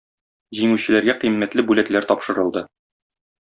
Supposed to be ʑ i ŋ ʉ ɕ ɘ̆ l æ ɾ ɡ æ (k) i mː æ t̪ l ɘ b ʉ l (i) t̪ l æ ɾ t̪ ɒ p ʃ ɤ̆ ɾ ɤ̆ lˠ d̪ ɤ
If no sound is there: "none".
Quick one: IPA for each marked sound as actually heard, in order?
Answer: q, æ

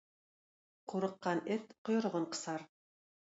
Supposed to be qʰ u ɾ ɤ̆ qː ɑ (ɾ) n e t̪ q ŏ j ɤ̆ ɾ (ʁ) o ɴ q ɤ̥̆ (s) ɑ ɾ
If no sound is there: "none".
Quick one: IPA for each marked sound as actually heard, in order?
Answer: none, ʁ, s

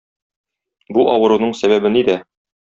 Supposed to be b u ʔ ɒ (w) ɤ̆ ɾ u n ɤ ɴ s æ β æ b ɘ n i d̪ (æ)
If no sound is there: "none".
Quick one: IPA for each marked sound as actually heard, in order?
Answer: w, æ

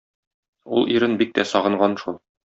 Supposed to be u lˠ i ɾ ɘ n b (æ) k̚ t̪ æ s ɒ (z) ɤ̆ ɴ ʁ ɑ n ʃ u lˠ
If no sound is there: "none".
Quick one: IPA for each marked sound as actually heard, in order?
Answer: i, ʁ

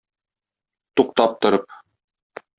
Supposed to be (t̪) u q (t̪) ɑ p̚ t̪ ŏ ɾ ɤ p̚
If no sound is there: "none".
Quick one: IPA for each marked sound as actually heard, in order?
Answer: t̪, t̪

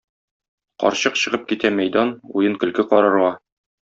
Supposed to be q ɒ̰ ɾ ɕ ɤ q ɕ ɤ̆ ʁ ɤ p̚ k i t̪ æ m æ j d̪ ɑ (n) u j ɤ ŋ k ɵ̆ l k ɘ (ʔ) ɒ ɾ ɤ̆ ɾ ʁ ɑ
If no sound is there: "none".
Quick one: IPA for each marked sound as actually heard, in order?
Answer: n, q

